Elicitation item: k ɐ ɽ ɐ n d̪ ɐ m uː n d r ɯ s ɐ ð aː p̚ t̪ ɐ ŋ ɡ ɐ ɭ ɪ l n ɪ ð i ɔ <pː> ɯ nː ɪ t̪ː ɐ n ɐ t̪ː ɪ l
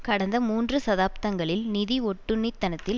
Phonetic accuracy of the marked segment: incorrect: ʈː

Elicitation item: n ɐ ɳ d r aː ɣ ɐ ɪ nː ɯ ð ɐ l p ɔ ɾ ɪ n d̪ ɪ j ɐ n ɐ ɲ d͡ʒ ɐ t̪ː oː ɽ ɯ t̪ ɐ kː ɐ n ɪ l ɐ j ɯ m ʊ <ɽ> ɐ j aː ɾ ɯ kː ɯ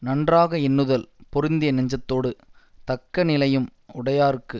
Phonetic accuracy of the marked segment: correct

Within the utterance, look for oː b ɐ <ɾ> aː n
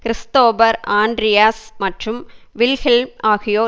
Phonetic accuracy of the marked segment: correct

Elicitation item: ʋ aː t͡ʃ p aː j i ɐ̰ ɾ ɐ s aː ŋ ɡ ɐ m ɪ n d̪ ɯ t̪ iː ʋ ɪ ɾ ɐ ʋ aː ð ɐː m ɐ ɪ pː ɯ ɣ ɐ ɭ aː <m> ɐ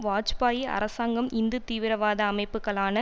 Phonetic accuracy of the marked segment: incorrect: n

